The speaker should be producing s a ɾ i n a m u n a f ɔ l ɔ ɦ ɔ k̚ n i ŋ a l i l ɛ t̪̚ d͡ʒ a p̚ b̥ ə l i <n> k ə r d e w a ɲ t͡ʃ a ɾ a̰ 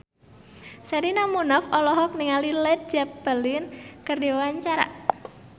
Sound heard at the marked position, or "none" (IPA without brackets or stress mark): n